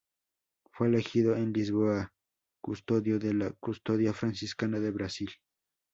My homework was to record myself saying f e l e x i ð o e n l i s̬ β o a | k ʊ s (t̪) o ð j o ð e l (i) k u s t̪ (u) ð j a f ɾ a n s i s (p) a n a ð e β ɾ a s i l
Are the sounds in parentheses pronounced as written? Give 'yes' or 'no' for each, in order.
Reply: yes, no, no, no

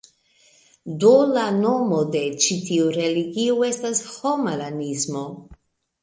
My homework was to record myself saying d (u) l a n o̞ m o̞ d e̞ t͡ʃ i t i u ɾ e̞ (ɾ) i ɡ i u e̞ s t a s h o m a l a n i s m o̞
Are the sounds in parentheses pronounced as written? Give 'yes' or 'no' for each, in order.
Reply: no, no

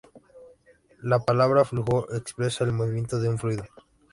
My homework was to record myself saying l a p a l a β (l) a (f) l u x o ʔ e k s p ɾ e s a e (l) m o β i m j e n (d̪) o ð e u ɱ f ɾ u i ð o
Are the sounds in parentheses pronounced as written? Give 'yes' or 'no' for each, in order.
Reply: no, yes, yes, no

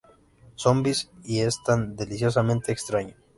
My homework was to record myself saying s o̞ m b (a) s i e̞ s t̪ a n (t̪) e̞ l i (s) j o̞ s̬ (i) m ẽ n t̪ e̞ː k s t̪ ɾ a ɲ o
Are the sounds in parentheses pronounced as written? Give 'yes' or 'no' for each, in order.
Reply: no, no, yes, no

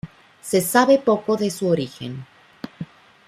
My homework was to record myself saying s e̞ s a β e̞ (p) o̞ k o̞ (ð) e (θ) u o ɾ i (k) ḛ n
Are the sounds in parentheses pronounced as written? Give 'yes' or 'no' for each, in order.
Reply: yes, yes, no, no

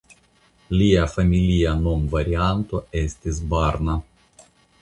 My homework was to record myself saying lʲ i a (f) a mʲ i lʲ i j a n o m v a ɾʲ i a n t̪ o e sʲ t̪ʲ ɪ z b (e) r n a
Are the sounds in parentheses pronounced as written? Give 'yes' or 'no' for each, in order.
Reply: yes, no

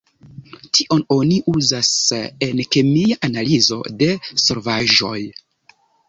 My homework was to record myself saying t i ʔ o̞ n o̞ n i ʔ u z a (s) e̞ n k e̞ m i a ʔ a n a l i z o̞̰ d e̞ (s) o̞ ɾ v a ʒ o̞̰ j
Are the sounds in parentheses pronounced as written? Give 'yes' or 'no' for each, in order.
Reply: yes, yes

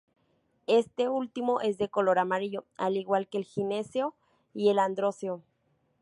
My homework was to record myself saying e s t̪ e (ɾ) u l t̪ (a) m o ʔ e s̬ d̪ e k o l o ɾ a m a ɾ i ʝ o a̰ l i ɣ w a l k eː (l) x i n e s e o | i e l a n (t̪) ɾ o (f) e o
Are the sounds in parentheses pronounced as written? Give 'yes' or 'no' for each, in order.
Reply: no, no, yes, no, no

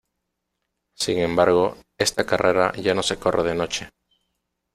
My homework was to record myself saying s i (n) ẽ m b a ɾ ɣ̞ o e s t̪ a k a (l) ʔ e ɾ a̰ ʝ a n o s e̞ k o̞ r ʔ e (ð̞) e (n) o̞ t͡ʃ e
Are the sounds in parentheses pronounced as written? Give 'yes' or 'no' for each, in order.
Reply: no, no, yes, yes

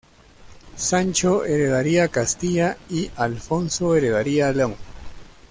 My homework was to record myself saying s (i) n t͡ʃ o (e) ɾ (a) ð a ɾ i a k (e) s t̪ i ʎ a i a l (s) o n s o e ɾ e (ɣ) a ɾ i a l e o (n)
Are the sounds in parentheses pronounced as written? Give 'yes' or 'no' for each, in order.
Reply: no, yes, no, no, no, no, no

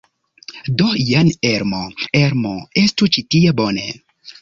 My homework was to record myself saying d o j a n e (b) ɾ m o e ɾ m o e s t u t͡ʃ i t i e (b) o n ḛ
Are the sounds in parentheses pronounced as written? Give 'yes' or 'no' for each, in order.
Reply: no, yes

